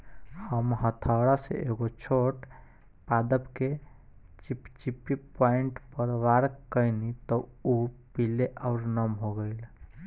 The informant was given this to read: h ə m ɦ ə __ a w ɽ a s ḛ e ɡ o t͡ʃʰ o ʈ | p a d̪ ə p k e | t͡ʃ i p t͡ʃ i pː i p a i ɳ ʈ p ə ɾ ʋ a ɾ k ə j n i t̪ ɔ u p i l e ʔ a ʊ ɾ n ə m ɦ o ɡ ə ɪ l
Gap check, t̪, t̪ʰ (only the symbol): t̪ʰ